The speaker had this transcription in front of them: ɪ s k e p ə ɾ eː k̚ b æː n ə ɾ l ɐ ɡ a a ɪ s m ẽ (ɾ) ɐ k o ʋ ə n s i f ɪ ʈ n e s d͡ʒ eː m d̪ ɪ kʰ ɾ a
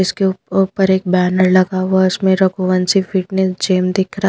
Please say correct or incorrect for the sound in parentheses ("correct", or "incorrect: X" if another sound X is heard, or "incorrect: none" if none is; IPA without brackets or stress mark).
correct